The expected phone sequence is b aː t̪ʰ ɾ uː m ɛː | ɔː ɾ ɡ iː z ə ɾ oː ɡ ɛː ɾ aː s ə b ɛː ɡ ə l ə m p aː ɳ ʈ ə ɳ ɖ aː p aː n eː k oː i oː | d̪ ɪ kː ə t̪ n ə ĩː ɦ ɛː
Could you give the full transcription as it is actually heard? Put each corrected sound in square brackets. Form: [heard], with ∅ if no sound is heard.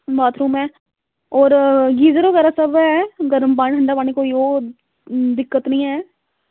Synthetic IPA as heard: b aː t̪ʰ ɾ uː m ɛː | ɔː ɾ ɡ iː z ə ɾ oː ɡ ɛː ɾ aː s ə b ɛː ɡ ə [ɾ] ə m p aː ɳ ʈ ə ɳ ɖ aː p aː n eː k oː i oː | d̪ ɪ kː ə t̪ n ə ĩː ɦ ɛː